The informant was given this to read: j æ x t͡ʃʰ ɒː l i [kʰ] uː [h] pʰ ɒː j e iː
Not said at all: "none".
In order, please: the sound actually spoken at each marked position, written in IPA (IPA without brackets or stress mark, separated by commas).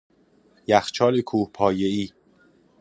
kʰ, h